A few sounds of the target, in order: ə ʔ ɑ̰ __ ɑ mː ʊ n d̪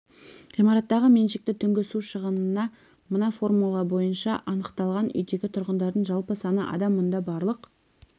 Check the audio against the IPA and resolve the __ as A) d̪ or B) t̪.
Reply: A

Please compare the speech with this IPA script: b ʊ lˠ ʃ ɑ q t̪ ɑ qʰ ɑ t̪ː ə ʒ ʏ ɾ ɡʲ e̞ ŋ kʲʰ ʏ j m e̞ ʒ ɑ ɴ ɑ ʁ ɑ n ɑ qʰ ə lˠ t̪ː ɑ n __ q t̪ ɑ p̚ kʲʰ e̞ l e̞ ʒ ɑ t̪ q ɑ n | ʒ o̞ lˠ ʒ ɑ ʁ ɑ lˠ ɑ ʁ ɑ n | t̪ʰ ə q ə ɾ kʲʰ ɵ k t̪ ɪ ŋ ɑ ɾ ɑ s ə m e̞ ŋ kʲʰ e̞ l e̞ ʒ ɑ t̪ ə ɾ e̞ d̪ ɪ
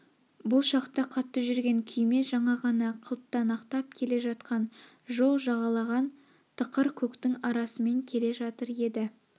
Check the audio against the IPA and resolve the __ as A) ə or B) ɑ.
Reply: B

